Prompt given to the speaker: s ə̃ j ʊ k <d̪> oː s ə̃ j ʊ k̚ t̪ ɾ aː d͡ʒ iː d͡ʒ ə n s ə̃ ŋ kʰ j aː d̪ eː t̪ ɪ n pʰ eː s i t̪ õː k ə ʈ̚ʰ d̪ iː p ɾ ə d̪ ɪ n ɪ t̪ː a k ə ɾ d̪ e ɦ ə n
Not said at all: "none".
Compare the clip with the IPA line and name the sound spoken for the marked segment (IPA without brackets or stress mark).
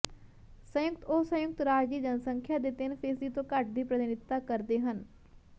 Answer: t̪